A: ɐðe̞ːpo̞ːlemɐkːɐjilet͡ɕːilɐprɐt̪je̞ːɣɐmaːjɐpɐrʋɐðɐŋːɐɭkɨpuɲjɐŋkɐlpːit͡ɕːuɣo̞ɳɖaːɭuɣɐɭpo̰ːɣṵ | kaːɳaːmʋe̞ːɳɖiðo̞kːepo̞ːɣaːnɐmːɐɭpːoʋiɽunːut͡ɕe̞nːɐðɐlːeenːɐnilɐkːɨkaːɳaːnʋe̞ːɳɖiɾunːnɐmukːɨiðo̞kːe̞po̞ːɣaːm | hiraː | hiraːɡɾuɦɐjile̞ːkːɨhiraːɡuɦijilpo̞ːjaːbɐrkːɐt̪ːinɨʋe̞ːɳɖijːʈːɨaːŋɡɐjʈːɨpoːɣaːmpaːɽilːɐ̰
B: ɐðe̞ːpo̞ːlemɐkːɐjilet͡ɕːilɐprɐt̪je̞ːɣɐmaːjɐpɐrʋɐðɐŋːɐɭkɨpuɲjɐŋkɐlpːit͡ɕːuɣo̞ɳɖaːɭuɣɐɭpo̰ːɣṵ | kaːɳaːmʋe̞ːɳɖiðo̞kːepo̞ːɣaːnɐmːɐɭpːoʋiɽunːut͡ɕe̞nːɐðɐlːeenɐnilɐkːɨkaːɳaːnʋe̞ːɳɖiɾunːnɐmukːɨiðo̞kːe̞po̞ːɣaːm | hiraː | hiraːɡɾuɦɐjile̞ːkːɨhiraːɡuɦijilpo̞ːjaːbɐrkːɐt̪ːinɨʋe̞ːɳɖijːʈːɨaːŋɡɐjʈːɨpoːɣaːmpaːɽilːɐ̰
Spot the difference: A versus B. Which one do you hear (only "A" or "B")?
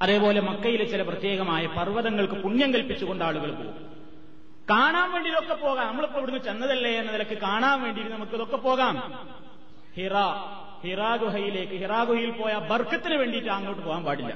A